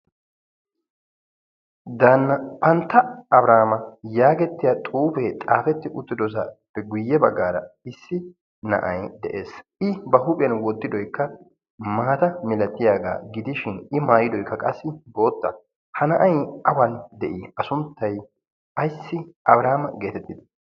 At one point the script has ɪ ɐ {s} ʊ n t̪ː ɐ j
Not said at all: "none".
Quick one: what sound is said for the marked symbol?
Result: s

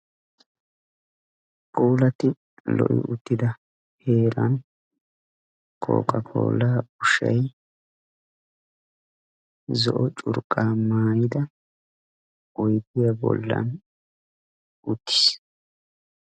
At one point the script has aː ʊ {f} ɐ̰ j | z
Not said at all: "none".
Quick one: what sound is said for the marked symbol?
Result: ʃ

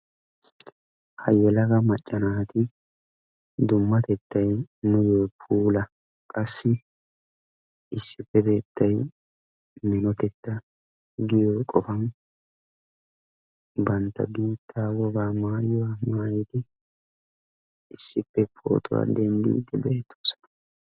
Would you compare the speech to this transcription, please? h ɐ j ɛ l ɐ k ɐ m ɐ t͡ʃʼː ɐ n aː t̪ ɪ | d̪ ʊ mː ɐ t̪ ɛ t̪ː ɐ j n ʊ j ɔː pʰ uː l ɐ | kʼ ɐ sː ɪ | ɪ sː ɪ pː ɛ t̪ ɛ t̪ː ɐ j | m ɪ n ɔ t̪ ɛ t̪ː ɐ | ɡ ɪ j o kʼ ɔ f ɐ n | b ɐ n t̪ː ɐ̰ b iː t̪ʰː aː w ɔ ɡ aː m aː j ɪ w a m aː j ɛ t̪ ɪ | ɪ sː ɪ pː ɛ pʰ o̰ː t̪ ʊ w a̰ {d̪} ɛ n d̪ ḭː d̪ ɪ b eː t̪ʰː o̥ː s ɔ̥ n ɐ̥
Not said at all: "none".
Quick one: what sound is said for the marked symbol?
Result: d̪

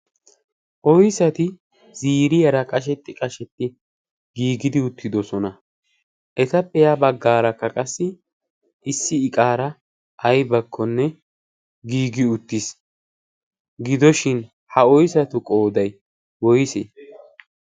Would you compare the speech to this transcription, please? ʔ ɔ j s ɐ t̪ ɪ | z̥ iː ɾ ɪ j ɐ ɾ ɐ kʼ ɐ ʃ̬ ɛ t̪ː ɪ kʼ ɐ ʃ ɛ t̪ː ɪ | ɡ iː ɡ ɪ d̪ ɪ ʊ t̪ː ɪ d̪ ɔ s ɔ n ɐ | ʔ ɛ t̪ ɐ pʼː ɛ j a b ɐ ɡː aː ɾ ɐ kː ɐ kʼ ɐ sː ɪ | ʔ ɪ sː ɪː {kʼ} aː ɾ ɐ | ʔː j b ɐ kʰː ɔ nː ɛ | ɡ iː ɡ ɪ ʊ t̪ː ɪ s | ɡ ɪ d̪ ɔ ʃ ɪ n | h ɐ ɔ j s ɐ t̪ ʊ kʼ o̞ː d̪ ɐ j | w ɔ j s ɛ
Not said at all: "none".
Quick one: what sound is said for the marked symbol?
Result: kʼ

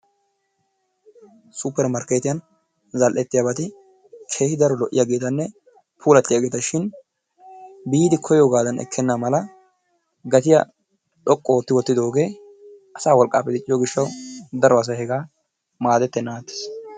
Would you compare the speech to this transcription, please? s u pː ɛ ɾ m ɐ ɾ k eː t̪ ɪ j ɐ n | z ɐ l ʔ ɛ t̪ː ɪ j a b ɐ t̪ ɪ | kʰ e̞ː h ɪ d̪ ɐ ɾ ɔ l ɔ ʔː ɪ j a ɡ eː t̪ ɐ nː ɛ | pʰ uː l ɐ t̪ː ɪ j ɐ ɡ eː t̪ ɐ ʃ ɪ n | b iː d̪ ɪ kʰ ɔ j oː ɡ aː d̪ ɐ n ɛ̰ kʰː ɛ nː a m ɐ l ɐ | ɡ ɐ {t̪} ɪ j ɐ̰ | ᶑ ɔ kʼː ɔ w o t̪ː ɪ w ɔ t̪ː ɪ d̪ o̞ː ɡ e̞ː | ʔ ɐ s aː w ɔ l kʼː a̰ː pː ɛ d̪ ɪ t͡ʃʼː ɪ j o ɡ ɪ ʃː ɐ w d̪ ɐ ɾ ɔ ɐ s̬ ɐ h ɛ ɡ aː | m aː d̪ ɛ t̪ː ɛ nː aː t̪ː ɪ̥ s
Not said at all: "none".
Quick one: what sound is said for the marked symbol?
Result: t̪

